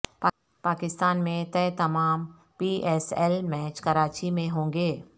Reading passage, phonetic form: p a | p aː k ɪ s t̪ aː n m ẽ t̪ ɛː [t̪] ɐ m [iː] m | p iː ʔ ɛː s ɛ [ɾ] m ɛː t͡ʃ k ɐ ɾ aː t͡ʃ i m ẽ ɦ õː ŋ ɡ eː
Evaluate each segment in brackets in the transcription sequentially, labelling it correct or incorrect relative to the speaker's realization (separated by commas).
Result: correct, incorrect, incorrect